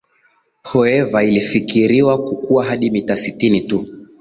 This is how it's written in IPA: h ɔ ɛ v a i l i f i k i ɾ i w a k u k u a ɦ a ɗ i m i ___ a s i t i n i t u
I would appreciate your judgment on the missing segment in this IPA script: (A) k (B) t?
B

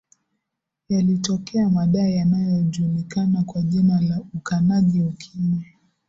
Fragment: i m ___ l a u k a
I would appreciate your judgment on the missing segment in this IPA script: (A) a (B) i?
A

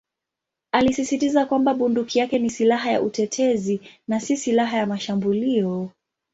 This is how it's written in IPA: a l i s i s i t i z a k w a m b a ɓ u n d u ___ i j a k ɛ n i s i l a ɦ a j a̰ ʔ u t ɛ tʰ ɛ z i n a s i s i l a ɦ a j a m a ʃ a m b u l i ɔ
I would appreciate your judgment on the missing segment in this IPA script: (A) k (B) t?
A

